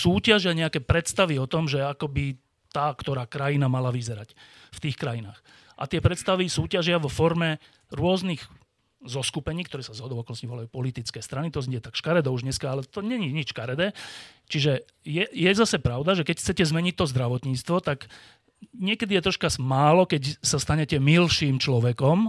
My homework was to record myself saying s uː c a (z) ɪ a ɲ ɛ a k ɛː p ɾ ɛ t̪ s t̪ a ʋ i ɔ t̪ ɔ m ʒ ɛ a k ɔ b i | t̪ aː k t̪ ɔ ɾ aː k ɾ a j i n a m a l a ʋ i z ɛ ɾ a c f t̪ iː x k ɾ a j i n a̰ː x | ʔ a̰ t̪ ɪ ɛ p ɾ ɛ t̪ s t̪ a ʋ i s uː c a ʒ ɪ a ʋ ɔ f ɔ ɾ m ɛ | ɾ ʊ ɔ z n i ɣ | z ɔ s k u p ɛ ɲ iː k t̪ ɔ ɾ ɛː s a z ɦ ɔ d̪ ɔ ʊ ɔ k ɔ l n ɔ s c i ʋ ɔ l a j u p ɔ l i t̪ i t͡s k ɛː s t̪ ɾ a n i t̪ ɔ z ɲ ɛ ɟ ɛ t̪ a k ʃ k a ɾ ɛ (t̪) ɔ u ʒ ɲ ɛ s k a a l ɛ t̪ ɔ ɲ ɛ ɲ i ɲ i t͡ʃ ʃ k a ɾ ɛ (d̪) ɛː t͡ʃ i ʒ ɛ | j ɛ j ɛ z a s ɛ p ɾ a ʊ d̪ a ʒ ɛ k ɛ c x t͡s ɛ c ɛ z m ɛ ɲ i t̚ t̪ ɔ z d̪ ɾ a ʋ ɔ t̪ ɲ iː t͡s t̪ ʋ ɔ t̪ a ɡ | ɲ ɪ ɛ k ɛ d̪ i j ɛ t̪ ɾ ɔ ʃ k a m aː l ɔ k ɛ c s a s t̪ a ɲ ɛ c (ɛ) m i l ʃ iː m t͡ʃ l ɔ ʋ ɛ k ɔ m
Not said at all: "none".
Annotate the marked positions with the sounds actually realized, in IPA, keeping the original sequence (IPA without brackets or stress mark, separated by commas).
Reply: ʒ, d̪, d̪, ɛ